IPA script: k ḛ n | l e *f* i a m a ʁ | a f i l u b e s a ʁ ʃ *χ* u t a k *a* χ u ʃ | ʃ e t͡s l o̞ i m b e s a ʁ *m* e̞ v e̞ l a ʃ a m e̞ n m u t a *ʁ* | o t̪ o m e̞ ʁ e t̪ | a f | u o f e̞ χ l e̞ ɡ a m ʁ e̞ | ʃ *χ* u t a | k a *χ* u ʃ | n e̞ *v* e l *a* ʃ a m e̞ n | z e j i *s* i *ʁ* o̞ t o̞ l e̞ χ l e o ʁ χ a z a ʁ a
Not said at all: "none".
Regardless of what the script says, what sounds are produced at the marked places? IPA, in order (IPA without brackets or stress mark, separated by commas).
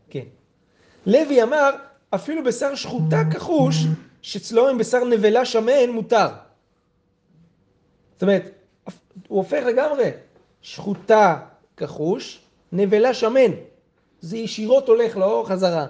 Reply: v, χ, a, n, ʁ, χ, χ, v, a, ʃ, ʁ